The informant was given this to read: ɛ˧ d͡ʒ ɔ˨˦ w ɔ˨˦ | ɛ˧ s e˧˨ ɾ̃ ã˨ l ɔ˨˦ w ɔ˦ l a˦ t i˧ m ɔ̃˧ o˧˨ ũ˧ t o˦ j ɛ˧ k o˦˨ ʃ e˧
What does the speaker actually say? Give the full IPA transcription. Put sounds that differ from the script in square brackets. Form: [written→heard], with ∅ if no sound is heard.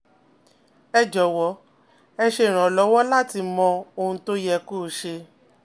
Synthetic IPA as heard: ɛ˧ d͡ʒ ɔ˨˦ w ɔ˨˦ | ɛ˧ [s→ʃ] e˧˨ ɾ̃ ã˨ l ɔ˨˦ w ɔ˦ l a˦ t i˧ m ɔ̃˧ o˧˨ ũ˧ t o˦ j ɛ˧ k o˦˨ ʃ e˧